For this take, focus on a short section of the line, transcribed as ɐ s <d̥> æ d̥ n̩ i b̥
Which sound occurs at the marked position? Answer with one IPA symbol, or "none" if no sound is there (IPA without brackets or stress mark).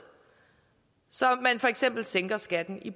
ɡ̥